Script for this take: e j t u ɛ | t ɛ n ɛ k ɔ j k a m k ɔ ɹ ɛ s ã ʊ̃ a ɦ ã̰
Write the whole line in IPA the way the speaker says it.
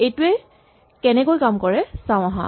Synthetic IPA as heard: e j t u ɛ | k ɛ n ɛ k o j k a m k ɔ ɹ ɛ s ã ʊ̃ a ɦ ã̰